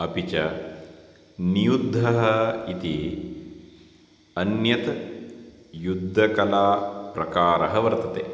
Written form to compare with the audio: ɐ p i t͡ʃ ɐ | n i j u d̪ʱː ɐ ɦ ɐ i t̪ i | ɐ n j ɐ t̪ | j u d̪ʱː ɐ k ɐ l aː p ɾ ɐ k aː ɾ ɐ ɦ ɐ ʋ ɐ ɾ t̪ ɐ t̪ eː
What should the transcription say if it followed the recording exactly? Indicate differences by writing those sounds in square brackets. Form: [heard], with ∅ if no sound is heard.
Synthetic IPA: ɐ p i t͡ʃ ɐ | n i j u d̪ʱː ɐ ɦ ɐ i t̪ i | ɐ n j ɐ t̪ | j u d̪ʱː ɐ k ɐ l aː p ɾ ɐ k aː ɾ ɐ ɦ ɐ ʋ ɐ ɾ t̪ ɐ t̪ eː